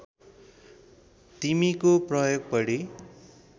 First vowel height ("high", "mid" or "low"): high